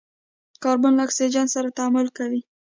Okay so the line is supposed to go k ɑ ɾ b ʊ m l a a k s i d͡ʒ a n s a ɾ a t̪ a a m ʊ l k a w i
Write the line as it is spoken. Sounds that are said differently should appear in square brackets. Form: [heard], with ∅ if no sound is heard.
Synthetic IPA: k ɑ ɾ b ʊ [n] l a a k s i d͡ʒ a n s a ɾ a t̪ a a m ʊ l k a w i